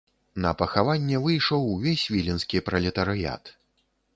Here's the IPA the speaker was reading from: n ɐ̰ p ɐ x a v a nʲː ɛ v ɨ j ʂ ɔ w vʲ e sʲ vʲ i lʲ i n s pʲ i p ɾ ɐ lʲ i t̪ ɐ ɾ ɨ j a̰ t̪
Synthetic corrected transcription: n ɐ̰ p ɐ x a v a nʲː ɛ v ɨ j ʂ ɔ w vʲ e sʲ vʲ i lʲ i n s kʲ i p ɾ ɐ lʲ ɛ t̪ ɐ ɾ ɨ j a̰ t̪